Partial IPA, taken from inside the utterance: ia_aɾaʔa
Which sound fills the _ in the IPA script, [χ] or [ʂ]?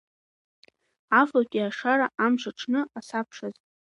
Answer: ʂ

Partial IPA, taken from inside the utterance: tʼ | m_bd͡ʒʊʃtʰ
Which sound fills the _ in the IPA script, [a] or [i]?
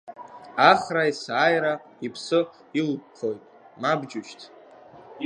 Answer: a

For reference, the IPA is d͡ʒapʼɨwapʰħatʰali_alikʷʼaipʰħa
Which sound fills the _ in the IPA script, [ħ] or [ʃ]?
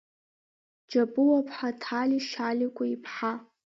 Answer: ʃ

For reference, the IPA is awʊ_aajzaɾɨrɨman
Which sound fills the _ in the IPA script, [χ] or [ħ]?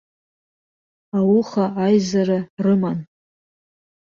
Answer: χ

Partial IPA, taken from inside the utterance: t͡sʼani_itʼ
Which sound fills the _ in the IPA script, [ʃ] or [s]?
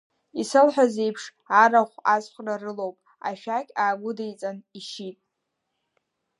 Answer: ʃ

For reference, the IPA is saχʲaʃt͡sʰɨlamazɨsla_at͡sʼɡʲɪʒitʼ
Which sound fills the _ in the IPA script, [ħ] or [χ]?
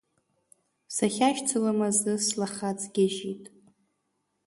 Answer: χ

